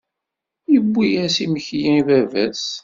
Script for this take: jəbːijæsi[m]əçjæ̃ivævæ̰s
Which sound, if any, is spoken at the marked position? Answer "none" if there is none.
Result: m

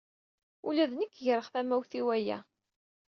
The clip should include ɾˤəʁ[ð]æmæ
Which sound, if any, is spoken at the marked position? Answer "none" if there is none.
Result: θ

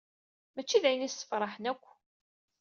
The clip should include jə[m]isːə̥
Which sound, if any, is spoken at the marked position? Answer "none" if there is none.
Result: n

